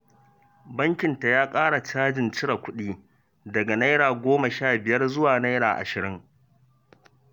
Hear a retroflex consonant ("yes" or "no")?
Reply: yes